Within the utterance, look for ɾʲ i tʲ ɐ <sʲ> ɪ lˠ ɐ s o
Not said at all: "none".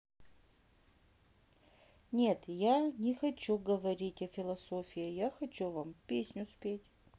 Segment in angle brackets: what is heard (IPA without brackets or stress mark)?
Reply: fʲ